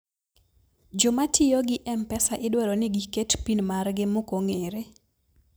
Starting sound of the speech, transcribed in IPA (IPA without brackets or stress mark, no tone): d͡ʒ